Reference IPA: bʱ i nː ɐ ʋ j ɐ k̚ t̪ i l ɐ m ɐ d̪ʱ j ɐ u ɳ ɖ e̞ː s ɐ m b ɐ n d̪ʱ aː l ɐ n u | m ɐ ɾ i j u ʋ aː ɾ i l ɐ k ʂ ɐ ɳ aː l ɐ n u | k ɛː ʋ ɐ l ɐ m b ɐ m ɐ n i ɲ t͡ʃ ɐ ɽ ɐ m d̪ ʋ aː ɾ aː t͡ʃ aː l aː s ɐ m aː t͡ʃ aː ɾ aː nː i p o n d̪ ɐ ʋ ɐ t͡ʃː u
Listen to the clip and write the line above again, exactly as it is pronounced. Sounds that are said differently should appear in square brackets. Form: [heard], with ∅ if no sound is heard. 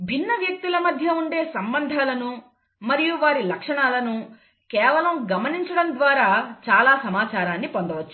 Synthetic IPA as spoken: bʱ i nː ɐ ʋ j ɐ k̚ t̪ i l ɐ m ɐ d̪ʱ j ɐ u ɳ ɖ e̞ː s ɐ m b ɐ n d̪ʱ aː l ɐ n u | m ɐ ɾ i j u ʋ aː ɾ i l ɐ k ʂ ɐ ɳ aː l ɐ n u | k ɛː ʋ ɐ l ɐ m [ɡ] ɐ m ɐ n i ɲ t͡ʃ ɐ ɽ ɐ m d̪ ʋ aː ɾ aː t͡ʃ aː l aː s ɐ m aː t͡ʃ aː ɾ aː nː i p o n d̪ ɐ ʋ ɐ t͡ʃː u